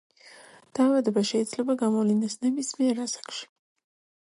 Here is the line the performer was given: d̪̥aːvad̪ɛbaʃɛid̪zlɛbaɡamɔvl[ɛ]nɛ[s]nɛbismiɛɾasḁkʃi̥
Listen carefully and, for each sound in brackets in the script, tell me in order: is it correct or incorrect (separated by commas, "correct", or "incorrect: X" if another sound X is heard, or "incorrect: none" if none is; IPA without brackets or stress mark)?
incorrect: i, correct